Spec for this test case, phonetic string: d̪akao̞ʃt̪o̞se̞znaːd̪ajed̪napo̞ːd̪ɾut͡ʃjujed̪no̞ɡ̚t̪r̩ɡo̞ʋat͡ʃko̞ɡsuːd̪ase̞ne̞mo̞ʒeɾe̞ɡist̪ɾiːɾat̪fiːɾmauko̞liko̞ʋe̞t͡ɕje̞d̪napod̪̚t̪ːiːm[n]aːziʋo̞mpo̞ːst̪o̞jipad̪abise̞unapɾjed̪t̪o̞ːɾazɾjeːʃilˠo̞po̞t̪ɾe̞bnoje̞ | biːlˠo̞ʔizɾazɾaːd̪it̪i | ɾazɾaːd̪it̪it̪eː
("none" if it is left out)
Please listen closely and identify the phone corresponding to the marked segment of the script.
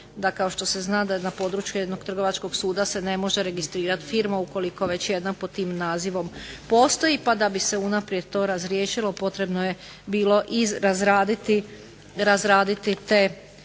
n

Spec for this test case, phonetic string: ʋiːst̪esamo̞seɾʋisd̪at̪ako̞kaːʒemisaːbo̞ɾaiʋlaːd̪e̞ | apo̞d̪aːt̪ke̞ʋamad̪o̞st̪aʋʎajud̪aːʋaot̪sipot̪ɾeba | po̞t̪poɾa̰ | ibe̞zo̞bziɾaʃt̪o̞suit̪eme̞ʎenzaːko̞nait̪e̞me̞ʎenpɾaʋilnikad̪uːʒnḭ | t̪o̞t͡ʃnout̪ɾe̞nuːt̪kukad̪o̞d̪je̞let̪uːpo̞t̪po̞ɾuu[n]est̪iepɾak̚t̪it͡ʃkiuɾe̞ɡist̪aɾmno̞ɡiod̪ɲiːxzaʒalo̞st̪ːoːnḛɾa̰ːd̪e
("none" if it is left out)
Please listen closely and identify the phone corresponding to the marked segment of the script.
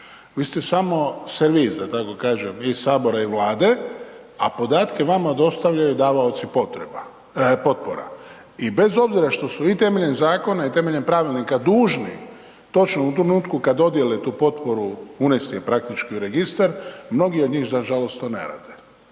n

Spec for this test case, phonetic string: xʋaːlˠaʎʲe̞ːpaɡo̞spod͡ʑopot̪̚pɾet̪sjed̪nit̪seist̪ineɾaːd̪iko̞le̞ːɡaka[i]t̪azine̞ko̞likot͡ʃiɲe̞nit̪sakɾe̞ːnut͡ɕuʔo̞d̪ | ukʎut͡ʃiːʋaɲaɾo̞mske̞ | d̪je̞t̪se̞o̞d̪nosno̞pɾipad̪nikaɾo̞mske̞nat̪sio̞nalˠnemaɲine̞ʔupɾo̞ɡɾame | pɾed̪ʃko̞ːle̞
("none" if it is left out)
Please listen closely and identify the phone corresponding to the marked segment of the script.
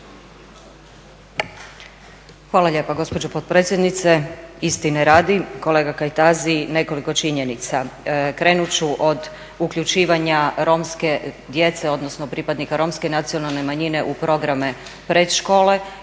j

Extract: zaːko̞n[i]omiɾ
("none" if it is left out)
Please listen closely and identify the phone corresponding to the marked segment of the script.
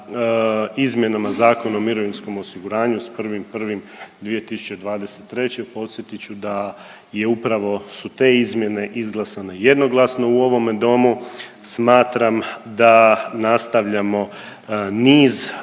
a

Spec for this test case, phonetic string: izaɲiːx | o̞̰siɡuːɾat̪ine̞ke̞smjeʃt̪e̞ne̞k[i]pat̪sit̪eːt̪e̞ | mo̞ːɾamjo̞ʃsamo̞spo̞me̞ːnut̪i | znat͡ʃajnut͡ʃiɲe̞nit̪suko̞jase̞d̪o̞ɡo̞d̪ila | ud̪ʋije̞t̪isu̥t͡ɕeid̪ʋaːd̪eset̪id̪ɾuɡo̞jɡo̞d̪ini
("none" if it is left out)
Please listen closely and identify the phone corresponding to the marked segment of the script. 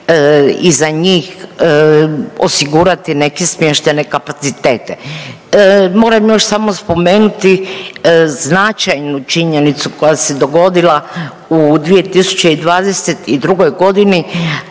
a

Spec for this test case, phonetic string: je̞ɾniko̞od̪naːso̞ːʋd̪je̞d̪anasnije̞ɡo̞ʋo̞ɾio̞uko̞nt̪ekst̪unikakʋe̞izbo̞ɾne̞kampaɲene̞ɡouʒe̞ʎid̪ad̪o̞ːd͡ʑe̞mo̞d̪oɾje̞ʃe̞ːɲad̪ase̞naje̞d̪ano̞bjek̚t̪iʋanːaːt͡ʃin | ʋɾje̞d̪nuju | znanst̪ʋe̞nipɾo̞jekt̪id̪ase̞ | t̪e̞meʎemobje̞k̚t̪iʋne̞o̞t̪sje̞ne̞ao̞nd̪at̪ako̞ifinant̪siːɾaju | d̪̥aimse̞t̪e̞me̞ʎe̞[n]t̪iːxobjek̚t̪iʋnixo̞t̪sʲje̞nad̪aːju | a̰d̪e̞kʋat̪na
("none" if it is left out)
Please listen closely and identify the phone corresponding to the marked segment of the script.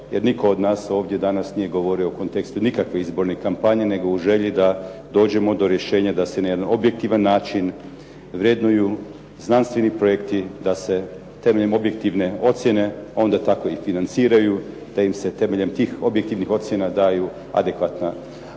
m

